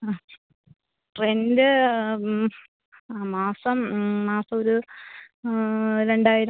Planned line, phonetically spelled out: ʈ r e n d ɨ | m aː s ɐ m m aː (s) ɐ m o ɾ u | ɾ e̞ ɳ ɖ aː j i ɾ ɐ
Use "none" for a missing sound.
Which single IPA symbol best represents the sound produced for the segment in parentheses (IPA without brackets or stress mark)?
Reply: s